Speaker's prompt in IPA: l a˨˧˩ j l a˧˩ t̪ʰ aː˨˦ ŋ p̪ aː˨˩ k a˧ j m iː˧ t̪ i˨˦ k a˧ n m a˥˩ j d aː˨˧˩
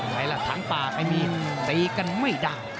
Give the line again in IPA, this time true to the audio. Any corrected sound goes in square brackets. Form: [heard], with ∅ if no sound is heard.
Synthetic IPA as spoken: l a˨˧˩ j l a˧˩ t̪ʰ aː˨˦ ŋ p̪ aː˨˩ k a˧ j m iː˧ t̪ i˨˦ k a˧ n m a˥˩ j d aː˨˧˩